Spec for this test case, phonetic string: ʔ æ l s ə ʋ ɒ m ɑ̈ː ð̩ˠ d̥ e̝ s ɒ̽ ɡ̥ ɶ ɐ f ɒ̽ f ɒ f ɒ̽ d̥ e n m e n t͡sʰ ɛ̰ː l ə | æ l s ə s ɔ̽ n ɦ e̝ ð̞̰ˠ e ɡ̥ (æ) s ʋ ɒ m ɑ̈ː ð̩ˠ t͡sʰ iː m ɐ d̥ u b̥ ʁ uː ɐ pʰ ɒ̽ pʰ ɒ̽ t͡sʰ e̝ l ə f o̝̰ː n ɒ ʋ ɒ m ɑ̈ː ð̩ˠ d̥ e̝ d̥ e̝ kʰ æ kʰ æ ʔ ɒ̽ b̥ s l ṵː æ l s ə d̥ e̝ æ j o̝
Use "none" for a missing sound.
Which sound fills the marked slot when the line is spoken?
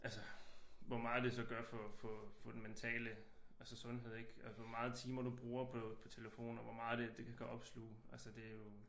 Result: æ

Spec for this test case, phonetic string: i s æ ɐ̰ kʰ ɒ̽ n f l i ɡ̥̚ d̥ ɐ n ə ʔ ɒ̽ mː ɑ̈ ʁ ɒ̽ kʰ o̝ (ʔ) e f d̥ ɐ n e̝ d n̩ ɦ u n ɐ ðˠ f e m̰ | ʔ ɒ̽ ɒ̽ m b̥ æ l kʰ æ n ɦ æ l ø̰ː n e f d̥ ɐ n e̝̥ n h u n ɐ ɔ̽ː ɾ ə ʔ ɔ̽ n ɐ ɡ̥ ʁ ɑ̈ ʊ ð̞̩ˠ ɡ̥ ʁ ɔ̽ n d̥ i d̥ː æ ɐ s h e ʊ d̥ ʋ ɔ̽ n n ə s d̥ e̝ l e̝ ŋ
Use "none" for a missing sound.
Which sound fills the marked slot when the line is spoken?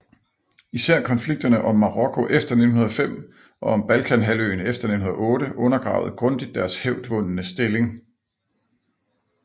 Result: ʔ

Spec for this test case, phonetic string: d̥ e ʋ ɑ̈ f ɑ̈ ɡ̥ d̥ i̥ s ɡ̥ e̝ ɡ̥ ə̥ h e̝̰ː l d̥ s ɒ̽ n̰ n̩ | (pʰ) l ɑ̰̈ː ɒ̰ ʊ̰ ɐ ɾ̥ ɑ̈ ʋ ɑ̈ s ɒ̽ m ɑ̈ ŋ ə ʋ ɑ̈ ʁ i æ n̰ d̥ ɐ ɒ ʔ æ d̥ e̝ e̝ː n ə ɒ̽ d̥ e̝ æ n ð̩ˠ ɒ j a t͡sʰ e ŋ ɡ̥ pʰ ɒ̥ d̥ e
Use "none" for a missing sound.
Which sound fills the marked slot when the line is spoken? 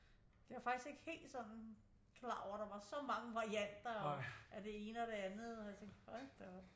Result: kʰ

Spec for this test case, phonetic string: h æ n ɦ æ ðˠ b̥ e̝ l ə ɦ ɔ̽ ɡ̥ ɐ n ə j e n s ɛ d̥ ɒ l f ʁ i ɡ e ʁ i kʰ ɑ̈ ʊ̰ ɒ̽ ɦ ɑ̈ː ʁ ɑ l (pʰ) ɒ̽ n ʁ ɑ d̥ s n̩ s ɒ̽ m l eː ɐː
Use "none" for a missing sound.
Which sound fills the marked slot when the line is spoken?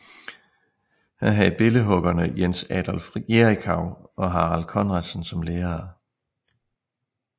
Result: kʰ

